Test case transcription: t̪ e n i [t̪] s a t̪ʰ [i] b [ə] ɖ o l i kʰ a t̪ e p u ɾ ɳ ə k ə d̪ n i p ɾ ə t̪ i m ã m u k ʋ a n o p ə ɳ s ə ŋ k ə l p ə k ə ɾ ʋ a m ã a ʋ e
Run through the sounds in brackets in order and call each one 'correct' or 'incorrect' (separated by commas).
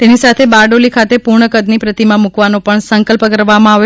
incorrect, incorrect, incorrect